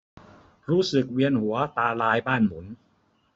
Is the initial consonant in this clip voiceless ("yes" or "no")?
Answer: no